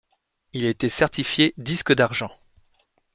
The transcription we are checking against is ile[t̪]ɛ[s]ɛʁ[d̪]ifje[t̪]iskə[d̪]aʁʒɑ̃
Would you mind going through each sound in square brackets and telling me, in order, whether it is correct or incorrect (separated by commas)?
correct, correct, incorrect, incorrect, correct